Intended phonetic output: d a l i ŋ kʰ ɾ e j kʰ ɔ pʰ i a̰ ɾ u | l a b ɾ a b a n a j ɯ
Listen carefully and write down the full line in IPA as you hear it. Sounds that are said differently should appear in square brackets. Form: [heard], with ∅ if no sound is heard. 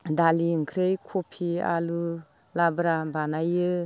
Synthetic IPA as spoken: d a l i ŋ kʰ ɾ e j kʰ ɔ pʰ i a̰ [l] u | l a b ɾ a b a n a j ɯ